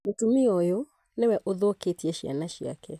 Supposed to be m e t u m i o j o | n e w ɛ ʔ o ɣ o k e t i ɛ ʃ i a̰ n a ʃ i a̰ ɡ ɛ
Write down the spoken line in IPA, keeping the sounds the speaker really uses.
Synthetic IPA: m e t u m i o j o | n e w ɛ ʔ o ð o k e t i ɛ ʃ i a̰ n a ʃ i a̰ k ɛ

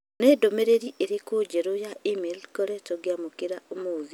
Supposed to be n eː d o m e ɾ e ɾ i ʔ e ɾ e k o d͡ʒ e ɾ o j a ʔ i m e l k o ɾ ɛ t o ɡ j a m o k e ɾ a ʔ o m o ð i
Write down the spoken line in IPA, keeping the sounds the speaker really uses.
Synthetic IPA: n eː d o m e ɾ e ɾ i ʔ e ɾ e k o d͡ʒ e ɾ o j a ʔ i m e l k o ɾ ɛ t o ɡ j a m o k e ɾ a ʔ o m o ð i

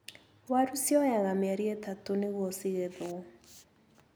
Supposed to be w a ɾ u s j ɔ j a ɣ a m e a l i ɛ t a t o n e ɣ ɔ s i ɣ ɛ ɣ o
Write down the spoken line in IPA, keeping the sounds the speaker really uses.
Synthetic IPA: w a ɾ u s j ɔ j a ɣ a m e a ɾ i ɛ t a t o n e ɣ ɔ s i ɣ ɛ ð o

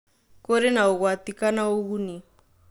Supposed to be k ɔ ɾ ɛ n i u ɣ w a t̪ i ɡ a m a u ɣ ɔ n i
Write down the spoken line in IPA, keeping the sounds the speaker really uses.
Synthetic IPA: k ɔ ɾ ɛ n a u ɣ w a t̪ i k a n a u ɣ u n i

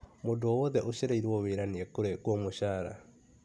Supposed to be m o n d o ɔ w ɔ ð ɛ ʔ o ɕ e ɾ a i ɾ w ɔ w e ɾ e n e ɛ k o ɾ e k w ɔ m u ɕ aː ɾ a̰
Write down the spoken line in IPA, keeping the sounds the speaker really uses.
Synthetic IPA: m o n d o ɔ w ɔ ð ɛ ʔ o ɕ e ɾ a i ɾ w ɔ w e ɾ a n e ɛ k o ɾ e k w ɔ m o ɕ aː ɾ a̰

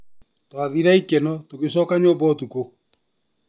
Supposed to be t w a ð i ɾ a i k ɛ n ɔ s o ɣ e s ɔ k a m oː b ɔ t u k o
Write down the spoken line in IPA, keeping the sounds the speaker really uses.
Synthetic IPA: t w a ð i ɾ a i k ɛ n ɔ t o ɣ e s ɔ k a ɲ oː b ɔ t u k o

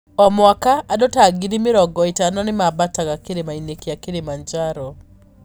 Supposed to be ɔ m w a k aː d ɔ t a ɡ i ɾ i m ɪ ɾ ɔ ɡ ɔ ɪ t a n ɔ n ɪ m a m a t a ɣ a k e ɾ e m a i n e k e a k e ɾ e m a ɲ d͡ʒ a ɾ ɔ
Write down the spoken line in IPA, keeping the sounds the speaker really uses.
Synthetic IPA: ɔ m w a k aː d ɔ t a ɡ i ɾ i m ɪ ɾ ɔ ɡ ɔ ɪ t a n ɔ n ɪ m a b a t a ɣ a k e ɾ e m a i n e k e a k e ɾ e m a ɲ d͡ʒ a ɾ ɔ

